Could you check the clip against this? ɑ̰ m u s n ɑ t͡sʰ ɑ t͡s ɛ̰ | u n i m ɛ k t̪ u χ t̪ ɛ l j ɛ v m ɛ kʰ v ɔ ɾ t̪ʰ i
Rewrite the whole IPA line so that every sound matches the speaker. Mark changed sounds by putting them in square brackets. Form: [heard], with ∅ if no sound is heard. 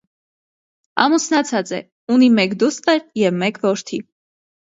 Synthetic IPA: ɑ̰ m u s n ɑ t͡sʰ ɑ t͡s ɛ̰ | u n i m ɛ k [d̪] u [s] t̪ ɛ [ɾ] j ɛ v m ɛ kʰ v ɔ ɾ t̪ʰ i

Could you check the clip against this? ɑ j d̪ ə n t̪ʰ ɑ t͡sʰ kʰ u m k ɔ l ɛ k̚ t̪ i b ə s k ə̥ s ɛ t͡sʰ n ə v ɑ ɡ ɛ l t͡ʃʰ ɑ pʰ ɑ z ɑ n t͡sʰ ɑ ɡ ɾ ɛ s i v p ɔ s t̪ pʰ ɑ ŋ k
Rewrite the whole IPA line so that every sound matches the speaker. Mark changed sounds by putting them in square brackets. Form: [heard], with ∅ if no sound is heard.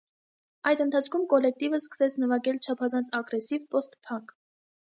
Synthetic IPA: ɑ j d̪ ə n t̪ʰ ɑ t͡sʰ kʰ u m k ɔ l ɛ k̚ t̪ i [v] ə s k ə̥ s ɛ t͡sʰ n ə v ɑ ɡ ɛ l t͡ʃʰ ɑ pʰ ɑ z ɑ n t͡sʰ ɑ ɡ ɾ ɛ s i v p ɔ s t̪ pʰ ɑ ŋ k

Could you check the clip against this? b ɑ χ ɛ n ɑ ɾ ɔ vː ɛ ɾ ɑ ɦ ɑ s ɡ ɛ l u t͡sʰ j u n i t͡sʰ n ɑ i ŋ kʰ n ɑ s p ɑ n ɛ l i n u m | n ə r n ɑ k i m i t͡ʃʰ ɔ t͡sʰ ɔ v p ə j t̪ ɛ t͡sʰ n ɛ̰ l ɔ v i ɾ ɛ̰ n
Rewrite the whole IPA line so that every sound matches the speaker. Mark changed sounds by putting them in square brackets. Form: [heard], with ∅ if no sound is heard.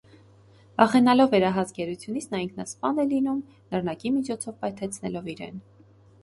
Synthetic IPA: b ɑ χ ɛ n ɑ [l] ɔ vː ɛ ɾ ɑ ɦ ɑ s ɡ ɛ [ɾ] u t͡sʰ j u n i t͡sʰ n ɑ i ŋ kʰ n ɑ s p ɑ n ɛ l i n u m | n ə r n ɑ k i m i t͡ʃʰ ɔ t͡sʰ ɔ v p [ɑ] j [t̪ʰ] ɛ t͡sʰ n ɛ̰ l ɔ v i ɾ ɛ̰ n

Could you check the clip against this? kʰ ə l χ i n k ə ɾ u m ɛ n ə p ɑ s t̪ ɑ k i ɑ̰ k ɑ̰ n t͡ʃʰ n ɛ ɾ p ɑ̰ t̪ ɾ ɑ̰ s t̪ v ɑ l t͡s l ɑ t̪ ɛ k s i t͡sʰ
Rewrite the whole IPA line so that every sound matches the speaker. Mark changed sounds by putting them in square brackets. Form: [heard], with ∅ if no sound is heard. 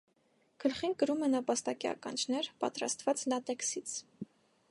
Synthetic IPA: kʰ ə l χ i n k ə ɾ u m ɛ n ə p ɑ s t̪ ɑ k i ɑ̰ k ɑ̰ n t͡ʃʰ n ɛ ɾ p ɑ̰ t̪ ɾ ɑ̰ s t̪ v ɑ [∅] t͡s l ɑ t̪ ɛ k s i t͡sʰ

